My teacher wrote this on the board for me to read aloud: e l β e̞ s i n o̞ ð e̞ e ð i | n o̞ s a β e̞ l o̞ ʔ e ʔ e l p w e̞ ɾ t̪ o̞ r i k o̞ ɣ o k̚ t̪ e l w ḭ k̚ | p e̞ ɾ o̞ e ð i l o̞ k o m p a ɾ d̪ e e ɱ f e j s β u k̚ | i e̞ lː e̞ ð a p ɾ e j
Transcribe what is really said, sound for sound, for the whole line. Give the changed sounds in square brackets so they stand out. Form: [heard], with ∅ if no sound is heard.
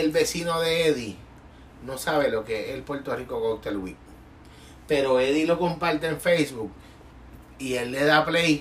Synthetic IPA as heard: e l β e̞ s i n o̞ ð e̞ e ð i | n o̞ s a β e̞ l o̞ [k] e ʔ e l p w e̞ ɾ t̪ o̞ r i k o̞ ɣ o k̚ t̪ e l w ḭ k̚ | p e̞ ɾ o̞ e ð i l o̞ k o m p a ɾ [t̪] e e ɱ f e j s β u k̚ | i e̞ lː e̞ ð a p [l] e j